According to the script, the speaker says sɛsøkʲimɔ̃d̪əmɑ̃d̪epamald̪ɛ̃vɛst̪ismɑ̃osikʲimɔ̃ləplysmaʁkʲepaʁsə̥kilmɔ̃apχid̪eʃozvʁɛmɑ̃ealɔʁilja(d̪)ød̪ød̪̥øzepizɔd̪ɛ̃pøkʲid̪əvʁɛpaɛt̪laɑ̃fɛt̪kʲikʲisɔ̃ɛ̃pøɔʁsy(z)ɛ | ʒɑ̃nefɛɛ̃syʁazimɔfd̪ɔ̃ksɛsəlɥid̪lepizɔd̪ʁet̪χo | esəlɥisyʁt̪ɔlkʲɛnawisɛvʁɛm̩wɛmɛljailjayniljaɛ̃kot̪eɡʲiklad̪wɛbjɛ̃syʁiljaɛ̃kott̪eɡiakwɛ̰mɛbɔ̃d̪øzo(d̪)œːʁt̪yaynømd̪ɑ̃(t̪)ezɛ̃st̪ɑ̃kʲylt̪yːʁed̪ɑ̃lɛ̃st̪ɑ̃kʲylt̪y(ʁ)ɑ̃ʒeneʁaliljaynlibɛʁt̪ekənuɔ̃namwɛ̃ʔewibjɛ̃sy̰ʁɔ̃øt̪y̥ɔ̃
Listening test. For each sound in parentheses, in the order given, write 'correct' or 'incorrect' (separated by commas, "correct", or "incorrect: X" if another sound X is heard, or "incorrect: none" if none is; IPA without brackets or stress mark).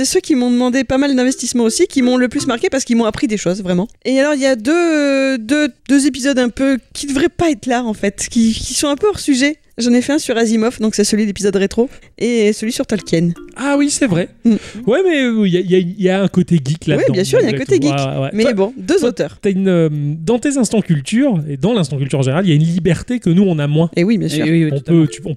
correct, incorrect: ʒ, incorrect: t̪, correct, correct